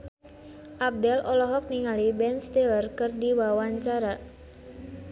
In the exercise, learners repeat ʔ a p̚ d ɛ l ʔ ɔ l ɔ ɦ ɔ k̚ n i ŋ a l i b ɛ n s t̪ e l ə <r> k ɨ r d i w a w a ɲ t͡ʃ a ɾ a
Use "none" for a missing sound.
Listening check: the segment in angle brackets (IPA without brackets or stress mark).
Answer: r